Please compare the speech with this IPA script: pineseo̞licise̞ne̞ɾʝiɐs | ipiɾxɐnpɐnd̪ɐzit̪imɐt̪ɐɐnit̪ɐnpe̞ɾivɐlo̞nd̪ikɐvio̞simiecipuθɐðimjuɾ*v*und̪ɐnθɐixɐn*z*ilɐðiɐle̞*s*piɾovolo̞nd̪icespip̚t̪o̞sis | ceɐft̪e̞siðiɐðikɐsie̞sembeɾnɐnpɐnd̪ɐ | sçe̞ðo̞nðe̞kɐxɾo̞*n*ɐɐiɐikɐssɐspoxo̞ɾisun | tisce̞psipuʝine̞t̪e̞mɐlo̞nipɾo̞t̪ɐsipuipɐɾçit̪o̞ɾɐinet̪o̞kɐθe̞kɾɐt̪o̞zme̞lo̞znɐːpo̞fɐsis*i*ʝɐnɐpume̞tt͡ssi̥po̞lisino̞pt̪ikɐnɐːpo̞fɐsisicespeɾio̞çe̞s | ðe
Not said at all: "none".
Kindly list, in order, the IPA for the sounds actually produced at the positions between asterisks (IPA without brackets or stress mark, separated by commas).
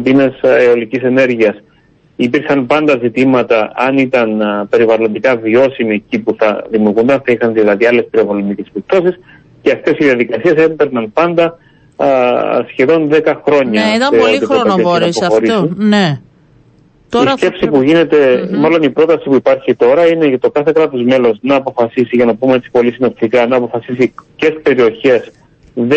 ɣ, ð, s, ɲ, i